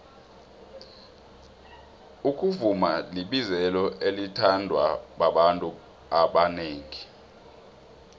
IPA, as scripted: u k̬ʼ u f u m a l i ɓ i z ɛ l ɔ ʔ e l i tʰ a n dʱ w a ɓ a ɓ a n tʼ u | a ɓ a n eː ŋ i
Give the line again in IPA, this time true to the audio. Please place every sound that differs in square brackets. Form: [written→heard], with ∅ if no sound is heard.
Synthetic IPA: u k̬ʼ u [f→v] u m a l i ɓ i z ɛ l ɔ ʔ e l i tʰ a n dʱ w a ɓ a ɓ a n tʼ u | a ɓ a n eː ŋ i